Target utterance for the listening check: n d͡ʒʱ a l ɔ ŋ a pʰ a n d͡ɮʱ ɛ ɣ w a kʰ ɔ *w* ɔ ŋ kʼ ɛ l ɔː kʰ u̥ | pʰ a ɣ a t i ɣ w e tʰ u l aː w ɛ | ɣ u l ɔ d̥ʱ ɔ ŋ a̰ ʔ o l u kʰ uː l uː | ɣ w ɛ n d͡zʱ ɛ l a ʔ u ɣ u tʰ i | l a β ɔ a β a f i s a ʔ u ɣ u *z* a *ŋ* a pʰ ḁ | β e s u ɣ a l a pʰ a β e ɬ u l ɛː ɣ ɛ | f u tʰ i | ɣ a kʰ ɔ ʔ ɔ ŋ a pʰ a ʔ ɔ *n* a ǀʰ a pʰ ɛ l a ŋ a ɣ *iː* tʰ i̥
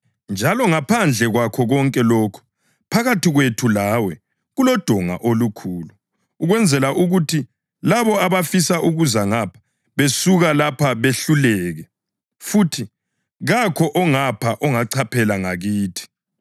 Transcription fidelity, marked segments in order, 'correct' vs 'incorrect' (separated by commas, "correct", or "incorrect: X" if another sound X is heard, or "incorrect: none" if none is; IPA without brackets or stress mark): incorrect: ɣ, correct, correct, incorrect: ŋ, correct